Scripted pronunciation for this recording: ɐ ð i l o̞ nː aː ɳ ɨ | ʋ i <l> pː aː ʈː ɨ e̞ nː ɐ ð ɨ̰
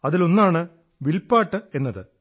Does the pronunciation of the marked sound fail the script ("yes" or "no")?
no